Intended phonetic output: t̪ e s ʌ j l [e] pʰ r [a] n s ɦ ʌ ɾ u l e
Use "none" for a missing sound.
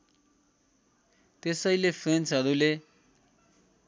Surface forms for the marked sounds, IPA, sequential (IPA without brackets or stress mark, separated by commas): e, e